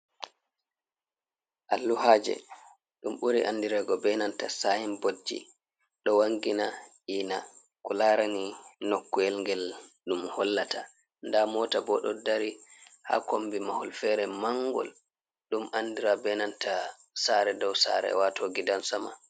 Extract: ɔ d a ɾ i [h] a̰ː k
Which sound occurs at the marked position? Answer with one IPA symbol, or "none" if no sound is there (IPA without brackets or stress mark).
h